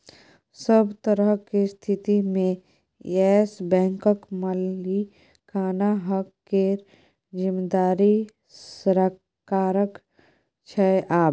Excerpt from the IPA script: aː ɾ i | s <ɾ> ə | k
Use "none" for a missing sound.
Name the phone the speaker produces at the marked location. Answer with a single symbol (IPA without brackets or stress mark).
ɾ